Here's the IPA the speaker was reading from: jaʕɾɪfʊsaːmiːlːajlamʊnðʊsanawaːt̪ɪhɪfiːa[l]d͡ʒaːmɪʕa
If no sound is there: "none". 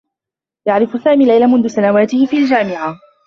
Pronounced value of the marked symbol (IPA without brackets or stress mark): l